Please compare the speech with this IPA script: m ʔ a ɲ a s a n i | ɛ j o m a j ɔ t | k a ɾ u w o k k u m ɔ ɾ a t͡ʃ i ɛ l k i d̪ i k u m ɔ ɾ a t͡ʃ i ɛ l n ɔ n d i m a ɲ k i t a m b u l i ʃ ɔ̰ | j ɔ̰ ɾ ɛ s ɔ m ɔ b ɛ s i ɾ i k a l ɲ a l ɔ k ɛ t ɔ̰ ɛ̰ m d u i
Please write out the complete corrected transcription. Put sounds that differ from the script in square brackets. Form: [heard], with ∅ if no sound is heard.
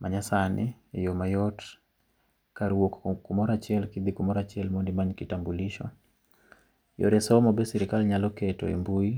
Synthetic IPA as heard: m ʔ a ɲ a s a n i | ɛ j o m a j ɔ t | k a ɾ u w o k k u m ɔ ɾ a t͡ʃ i ɛ l k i d̪ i k u m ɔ ɾ a t͡ʃ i ɛ l [m] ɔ n d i m a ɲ k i t a m b u l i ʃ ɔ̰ | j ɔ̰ ɾ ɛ s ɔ m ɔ b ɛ s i ɾ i k a l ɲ a l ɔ k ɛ t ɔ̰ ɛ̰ m [b] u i